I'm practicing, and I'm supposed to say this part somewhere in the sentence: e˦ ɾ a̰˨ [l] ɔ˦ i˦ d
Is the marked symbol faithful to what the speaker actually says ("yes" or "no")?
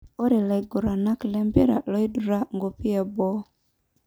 yes